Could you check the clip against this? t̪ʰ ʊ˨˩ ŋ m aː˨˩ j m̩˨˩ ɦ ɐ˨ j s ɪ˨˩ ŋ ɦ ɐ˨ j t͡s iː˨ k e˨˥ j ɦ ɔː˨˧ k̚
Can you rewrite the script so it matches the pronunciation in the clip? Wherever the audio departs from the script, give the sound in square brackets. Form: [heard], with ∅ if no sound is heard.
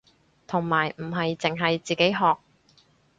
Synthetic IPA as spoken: t̪ʰ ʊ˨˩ ŋ m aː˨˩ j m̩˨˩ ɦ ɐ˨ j [t͡s] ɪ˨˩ ŋ ɦ ɐ˨ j t͡s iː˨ k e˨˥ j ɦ ɔː˨˧ k̚